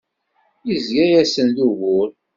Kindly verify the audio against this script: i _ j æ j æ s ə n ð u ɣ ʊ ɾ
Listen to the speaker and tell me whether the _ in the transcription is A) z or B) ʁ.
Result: A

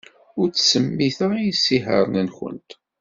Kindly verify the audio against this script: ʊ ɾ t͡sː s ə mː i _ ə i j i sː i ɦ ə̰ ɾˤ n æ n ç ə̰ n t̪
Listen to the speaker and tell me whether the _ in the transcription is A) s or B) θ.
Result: B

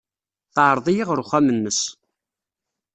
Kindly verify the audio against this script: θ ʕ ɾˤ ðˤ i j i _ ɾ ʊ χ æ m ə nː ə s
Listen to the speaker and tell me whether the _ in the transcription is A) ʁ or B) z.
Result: A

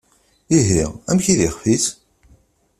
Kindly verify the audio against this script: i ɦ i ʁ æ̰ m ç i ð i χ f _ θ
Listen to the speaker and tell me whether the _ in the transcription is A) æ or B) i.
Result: B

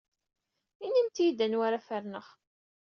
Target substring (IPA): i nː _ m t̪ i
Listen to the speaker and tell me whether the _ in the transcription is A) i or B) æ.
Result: A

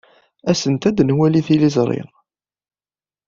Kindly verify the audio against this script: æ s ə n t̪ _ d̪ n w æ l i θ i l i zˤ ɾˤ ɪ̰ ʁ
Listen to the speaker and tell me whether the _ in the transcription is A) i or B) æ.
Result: B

